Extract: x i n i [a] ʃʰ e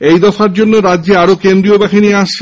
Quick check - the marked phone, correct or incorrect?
correct